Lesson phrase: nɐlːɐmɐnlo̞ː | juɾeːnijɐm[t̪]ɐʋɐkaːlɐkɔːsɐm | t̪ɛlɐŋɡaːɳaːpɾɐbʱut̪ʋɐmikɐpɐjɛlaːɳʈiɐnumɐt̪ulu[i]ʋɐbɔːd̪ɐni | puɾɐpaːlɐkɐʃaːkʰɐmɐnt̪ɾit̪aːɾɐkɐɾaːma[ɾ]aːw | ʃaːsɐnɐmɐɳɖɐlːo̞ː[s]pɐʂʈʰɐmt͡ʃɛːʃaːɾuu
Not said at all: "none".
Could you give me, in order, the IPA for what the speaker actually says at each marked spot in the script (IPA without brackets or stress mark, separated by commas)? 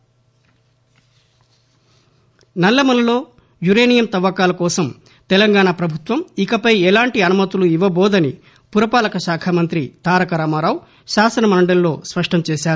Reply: t̪, i, ɾ, s